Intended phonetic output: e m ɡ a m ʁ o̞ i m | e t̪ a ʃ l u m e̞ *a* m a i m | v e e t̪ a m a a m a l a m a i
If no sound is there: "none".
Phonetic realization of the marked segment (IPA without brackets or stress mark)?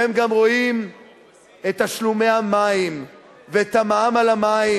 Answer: a